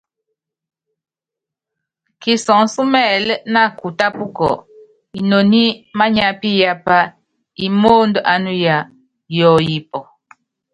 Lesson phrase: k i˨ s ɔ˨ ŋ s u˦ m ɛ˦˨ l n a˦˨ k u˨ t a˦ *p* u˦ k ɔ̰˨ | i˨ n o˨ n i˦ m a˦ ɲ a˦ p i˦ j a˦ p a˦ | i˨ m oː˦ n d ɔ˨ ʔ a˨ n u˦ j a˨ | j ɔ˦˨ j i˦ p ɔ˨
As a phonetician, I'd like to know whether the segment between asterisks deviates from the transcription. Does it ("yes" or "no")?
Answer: no